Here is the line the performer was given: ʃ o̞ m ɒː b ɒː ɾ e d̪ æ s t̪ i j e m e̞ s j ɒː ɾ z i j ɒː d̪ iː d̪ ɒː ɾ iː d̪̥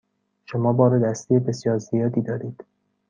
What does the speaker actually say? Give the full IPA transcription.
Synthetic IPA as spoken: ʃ o̞ m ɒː b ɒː ɾ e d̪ æ s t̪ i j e b e̞ s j ɒː ɾ z i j ɒː d̪ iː d̪ ɒː ɾ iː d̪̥